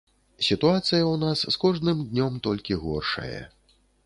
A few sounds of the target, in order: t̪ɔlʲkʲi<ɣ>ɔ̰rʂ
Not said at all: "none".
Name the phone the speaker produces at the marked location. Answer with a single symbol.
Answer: ɣ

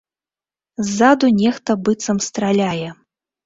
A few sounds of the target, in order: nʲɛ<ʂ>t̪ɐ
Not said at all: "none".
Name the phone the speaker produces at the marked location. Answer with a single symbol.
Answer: x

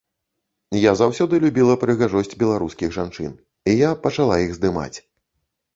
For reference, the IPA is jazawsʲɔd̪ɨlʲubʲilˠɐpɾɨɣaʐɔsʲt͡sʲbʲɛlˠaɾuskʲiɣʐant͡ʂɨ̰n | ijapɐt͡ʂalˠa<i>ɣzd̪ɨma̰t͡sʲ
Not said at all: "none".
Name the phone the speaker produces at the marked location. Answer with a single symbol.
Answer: i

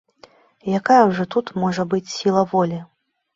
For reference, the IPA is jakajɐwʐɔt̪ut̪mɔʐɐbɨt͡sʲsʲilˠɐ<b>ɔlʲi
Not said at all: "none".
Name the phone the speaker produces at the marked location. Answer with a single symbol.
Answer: v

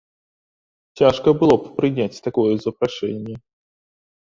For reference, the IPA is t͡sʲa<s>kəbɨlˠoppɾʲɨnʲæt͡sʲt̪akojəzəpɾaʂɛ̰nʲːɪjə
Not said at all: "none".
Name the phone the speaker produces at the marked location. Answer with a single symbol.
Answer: ʂ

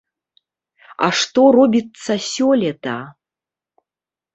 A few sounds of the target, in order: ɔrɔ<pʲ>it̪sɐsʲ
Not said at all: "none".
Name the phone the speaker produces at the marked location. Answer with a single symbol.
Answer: bʲ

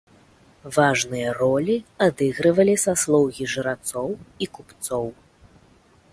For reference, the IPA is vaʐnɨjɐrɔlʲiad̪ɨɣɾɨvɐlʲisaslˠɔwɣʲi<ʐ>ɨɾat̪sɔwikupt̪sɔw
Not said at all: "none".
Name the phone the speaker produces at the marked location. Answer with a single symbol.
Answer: ʐ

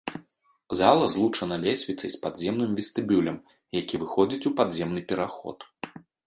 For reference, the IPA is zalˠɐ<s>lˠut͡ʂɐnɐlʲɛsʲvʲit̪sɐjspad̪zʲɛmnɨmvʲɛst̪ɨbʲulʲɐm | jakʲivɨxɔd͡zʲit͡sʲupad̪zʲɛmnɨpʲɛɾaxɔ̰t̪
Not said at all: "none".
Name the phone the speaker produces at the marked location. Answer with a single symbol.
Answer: z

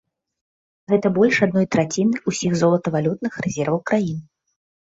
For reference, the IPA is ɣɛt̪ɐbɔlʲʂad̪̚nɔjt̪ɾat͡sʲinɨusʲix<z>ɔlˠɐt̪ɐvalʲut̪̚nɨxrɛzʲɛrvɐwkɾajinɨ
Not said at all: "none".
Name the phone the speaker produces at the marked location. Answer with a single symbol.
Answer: z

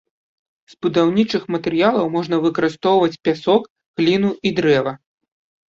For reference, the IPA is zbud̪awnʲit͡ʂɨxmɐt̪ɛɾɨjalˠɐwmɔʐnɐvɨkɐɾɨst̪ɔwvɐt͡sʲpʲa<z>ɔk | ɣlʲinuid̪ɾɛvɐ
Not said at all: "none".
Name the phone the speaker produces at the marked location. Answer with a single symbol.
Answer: s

